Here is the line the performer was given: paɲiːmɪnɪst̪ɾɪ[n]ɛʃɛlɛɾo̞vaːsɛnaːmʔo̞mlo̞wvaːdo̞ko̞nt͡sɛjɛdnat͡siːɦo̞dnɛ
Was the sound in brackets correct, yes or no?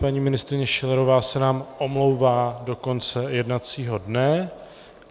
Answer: no